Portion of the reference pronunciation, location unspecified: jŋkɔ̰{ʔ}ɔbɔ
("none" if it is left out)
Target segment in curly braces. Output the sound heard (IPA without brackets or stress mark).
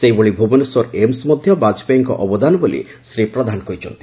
ʔ